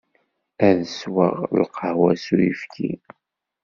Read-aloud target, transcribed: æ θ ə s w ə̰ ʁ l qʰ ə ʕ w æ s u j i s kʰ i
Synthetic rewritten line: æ ð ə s w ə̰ ʁ l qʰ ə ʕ w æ s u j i f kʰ i